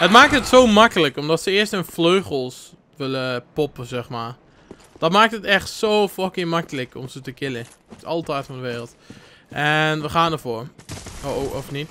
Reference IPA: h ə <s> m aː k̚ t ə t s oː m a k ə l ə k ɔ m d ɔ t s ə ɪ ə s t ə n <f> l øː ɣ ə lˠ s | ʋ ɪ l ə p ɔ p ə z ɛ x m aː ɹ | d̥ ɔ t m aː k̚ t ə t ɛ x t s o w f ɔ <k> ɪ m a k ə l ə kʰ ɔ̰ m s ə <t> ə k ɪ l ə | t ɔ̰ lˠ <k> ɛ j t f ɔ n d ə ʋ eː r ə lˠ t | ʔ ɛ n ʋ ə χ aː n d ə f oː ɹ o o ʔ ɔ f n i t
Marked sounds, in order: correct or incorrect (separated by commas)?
incorrect, correct, correct, correct, incorrect